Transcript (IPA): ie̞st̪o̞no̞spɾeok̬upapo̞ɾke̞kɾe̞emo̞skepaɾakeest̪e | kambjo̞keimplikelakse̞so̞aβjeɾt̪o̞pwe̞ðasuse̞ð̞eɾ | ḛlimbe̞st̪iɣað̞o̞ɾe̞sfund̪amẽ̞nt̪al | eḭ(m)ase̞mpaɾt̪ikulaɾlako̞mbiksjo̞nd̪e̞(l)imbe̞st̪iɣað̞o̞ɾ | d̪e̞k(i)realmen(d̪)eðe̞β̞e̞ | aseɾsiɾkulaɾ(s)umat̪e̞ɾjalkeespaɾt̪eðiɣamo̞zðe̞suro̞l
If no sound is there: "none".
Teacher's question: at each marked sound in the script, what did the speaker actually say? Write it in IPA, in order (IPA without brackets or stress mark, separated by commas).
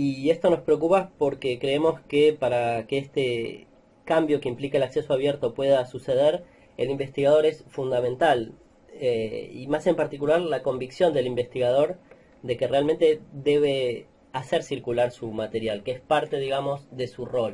m, l, e, t̪, s